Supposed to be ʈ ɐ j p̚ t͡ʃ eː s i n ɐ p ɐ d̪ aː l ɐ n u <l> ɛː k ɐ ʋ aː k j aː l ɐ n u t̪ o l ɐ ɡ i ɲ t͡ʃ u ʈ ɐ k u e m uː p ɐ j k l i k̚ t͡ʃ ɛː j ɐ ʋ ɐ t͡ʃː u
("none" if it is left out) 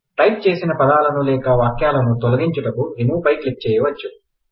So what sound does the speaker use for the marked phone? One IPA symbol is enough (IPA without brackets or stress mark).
l